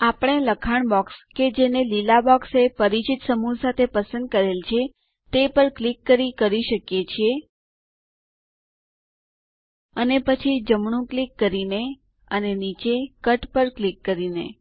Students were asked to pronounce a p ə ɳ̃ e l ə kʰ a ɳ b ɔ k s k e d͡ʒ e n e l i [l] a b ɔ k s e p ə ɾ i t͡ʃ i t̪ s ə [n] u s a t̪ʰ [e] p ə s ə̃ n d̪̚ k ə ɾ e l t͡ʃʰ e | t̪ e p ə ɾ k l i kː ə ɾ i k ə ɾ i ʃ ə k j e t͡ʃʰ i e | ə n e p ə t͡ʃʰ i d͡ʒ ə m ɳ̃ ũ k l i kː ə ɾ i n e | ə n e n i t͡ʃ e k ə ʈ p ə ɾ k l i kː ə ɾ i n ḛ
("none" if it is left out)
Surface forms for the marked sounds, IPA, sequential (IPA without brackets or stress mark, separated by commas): l, m, e